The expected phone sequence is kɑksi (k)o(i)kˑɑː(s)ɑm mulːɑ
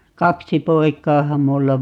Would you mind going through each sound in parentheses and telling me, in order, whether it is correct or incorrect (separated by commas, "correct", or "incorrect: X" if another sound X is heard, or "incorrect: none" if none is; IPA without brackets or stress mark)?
incorrect: p, correct, incorrect: h